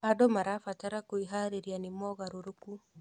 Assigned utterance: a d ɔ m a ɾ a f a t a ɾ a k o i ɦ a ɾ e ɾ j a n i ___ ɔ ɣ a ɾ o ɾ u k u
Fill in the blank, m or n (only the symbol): m